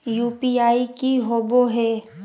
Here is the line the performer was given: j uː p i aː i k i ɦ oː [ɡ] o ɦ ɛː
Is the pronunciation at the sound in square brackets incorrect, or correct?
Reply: incorrect